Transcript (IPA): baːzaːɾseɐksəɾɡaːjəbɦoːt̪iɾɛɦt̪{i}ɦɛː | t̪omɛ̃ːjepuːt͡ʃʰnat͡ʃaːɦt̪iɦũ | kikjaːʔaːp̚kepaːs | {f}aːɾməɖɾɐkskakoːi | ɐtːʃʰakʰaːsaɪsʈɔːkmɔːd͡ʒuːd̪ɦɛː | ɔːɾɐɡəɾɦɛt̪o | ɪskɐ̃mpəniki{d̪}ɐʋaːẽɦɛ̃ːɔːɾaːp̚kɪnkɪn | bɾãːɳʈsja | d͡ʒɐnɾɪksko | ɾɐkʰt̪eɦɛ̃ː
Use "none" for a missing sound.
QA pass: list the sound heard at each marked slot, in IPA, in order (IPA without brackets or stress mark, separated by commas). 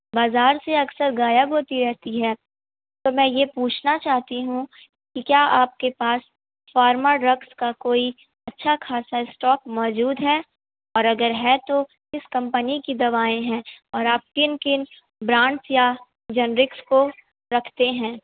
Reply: i, f, d̪